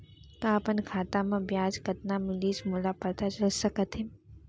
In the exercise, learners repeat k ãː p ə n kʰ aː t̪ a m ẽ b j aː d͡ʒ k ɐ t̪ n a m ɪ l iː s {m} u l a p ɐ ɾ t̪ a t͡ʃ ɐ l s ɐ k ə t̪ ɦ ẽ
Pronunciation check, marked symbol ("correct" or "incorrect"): correct